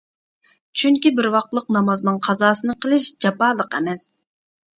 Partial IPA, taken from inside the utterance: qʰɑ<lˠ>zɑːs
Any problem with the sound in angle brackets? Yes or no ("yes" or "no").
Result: yes